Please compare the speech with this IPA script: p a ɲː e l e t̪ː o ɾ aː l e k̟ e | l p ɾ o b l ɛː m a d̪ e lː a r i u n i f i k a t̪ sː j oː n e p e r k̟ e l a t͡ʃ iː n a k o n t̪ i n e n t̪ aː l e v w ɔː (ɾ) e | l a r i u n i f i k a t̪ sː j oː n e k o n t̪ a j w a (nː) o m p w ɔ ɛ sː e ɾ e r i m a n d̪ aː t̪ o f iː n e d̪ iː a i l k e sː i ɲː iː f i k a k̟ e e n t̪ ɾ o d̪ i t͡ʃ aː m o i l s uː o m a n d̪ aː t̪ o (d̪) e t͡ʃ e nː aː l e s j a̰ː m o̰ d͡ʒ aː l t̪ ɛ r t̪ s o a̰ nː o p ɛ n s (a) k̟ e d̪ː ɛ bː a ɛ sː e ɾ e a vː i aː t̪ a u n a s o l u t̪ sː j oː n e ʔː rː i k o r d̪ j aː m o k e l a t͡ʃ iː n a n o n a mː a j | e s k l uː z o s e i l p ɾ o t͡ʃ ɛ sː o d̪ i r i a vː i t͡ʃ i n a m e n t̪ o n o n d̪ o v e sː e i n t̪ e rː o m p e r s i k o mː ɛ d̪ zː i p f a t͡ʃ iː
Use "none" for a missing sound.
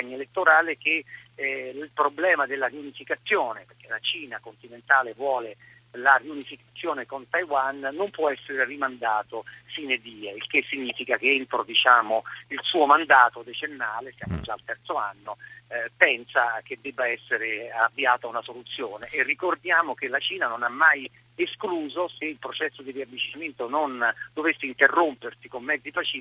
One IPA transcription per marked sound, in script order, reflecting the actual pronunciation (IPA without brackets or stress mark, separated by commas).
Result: l, nː, d̪, a